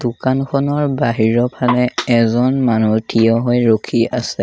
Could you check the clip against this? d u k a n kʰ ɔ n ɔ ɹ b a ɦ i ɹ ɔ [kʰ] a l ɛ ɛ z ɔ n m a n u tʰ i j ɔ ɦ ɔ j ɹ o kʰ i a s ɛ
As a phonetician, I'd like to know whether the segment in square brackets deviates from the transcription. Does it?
yes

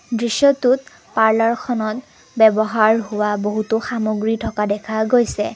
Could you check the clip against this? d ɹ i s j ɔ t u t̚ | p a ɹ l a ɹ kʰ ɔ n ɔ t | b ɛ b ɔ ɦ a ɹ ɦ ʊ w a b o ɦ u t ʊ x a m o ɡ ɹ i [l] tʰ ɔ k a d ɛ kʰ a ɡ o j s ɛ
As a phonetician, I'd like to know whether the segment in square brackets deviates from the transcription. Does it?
yes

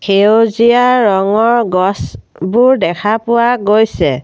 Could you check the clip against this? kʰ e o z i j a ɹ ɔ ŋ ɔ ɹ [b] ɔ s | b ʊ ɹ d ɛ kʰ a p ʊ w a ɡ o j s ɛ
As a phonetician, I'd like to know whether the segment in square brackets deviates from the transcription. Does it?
yes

